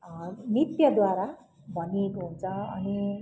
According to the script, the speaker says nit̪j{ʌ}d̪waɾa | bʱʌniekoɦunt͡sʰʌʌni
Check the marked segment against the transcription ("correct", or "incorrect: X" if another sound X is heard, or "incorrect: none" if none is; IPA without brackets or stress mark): correct